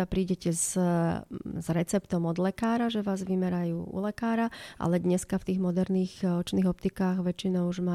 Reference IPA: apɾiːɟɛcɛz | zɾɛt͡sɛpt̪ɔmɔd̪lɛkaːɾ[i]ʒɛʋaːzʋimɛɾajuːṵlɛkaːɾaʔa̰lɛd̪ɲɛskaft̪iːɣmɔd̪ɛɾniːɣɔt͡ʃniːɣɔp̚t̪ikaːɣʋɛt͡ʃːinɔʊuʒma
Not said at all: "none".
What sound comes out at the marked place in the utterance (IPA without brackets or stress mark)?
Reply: a